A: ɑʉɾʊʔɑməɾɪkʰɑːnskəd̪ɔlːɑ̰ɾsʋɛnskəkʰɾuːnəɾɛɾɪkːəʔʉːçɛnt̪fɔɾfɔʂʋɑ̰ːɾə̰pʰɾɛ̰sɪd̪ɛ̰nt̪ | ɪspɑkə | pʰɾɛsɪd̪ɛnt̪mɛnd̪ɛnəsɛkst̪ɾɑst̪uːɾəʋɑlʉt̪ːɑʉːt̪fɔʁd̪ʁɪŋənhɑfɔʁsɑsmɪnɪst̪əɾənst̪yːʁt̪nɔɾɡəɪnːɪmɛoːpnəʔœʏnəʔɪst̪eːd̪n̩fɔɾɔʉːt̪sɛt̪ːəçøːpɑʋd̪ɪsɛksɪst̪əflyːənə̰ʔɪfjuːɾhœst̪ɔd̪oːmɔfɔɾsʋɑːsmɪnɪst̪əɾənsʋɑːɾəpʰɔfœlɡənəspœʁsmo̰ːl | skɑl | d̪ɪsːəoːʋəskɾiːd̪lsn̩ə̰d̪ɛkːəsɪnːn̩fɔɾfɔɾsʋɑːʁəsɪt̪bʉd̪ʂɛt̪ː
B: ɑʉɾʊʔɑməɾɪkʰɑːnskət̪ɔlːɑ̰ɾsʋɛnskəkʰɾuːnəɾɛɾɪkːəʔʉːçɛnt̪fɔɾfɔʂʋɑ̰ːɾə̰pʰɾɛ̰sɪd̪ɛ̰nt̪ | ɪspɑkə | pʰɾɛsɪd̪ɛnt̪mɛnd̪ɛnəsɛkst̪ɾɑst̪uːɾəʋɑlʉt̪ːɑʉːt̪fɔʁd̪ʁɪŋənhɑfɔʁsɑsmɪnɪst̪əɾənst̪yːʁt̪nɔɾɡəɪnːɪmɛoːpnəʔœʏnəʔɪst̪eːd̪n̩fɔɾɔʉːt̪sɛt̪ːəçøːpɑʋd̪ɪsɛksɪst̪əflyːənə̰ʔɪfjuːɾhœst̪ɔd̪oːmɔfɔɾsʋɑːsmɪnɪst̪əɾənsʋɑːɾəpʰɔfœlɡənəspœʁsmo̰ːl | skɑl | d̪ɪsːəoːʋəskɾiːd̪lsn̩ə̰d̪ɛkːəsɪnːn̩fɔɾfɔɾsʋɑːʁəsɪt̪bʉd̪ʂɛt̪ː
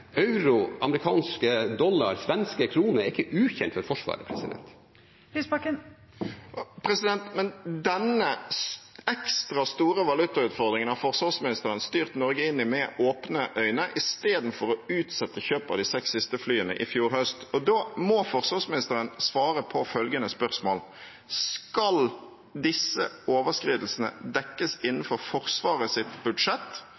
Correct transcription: A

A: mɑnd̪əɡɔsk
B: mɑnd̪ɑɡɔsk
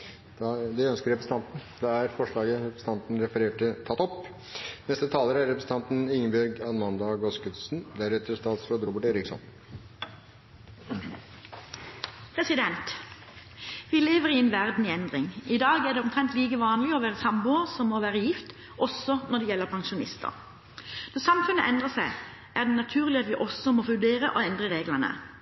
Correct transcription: B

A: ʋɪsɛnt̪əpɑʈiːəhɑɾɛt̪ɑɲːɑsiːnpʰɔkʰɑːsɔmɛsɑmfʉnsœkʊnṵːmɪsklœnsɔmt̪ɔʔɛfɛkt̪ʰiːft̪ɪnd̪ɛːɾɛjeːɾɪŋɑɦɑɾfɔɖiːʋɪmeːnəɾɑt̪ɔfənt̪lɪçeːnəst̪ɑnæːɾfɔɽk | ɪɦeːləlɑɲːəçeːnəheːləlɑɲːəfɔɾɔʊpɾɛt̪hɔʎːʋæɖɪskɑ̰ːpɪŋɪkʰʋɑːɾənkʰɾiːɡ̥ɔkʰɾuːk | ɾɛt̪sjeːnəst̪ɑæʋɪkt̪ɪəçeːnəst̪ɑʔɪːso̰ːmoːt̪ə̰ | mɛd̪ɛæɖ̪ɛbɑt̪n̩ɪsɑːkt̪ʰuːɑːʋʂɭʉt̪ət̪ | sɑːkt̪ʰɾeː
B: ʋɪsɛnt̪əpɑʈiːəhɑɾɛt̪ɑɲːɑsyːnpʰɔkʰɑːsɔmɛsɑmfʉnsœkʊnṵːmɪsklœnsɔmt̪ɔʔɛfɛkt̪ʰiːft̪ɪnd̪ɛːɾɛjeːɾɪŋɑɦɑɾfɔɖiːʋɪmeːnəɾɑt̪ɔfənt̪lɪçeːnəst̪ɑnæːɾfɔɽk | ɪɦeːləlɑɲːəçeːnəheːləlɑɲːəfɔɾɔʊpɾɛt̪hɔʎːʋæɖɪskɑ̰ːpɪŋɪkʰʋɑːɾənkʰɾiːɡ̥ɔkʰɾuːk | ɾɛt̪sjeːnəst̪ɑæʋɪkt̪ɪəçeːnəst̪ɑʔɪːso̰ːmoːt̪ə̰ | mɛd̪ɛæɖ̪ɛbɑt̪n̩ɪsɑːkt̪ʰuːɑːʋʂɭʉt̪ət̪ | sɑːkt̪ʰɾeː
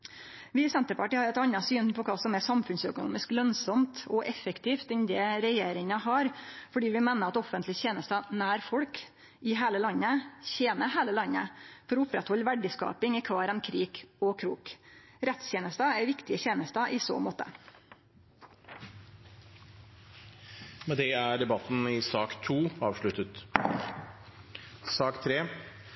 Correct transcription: B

